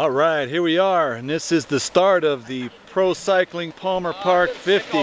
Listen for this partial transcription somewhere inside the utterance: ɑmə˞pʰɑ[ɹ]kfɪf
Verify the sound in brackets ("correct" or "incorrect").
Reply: correct